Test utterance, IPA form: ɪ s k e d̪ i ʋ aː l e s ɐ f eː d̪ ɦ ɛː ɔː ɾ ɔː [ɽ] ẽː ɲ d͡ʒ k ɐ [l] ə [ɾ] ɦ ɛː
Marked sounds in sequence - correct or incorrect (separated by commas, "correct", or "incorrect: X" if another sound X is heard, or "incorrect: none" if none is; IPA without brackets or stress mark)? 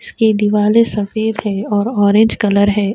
incorrect: ɾ, correct, correct